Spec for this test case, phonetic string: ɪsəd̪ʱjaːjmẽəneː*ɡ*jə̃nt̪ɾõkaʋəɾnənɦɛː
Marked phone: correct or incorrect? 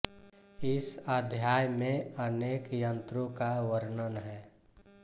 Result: incorrect: k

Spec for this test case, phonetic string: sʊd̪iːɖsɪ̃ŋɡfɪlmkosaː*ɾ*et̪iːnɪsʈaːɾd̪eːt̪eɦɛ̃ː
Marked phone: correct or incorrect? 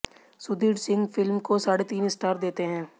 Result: incorrect: ɽ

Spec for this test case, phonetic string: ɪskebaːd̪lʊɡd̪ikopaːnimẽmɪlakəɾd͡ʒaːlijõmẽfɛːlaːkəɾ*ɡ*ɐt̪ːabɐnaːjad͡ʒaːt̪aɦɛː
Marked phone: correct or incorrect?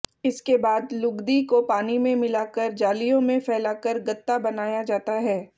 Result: correct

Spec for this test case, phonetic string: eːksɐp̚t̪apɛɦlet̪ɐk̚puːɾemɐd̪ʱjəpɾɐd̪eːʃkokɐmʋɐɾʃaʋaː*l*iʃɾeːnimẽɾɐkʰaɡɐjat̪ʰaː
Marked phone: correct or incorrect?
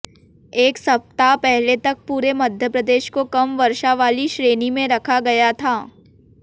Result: correct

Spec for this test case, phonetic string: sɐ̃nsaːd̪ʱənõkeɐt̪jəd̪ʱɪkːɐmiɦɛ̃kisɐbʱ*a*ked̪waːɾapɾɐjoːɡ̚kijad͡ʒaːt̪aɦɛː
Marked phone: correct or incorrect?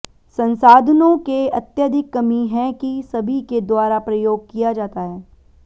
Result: incorrect: i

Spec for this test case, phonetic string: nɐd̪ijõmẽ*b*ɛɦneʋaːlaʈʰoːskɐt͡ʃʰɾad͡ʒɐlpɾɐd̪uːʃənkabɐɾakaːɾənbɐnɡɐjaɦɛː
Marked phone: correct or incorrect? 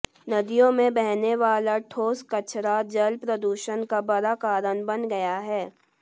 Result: correct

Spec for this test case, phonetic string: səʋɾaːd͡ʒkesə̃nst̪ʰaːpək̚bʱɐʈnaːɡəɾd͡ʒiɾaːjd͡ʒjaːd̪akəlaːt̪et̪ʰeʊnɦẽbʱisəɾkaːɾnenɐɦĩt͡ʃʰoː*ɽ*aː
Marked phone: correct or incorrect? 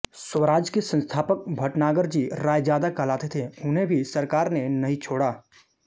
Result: correct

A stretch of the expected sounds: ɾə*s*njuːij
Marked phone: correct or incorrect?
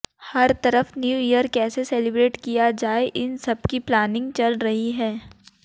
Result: incorrect: f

